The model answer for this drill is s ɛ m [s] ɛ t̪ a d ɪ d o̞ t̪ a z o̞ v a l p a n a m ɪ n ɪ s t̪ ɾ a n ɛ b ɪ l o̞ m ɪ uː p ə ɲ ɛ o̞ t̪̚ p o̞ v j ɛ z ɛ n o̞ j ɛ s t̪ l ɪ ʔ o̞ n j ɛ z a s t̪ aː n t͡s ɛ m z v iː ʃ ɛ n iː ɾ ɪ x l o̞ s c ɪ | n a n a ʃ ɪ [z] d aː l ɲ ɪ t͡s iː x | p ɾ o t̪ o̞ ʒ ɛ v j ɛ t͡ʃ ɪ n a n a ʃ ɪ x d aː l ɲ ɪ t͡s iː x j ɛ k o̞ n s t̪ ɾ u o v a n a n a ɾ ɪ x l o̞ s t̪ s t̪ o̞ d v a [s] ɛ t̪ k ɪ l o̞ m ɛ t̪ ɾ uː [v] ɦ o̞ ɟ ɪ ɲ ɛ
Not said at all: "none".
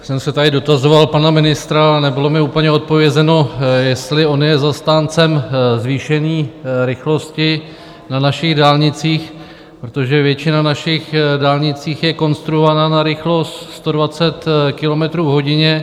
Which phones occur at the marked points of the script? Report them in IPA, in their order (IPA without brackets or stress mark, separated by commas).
s, ɣ, t͡s, v